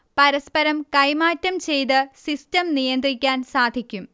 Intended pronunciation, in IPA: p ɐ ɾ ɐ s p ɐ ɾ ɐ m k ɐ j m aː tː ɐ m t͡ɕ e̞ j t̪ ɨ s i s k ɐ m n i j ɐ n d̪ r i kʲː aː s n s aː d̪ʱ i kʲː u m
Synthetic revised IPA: p ɐ ɾ ɐ s p ɐ ɾ ɐ m k ɐ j m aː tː ɐ m t͡ɕ e̞ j t̪ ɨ s i s t ɐ m n i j ɐ n d̪ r i kʲː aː n s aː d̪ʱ i kʲː u m